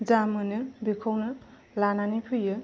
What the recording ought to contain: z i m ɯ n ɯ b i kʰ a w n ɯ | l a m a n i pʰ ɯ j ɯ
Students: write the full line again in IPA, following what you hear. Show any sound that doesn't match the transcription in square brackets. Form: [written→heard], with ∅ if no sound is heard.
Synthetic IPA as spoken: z [i→a] m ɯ n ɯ b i kʰ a w n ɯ | l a [m→n] a n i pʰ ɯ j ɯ